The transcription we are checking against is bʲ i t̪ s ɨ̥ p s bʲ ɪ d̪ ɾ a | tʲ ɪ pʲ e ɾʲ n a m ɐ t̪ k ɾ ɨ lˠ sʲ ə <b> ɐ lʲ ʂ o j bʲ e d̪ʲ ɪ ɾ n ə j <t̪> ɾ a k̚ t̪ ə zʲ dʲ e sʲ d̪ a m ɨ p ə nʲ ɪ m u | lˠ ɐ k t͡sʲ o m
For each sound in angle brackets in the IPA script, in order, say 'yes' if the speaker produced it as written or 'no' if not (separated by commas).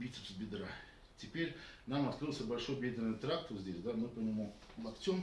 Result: yes, yes